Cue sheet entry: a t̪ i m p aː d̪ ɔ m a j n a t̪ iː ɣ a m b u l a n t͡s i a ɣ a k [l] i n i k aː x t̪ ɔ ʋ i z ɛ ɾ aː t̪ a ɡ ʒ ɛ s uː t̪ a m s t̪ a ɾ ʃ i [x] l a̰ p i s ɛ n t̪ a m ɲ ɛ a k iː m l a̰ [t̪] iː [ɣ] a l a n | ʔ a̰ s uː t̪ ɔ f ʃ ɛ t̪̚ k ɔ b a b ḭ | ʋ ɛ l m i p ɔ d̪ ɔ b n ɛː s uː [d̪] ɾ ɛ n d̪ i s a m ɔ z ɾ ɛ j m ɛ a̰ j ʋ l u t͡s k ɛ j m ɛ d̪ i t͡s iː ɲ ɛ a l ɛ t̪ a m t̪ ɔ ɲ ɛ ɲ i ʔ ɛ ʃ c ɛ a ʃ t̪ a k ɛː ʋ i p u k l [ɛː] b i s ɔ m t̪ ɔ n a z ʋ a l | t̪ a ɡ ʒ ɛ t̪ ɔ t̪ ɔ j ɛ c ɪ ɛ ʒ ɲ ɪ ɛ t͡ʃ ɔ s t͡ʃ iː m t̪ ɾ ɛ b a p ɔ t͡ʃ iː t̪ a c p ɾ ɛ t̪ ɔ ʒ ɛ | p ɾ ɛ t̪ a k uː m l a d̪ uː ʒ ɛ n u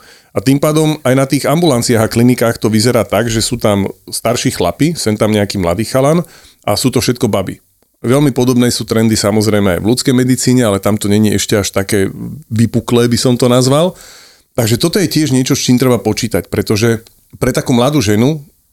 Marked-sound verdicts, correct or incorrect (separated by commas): correct, correct, incorrect, incorrect, incorrect, correct